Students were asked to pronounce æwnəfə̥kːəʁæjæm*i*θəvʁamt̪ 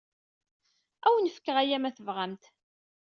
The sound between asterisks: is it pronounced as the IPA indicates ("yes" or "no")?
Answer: no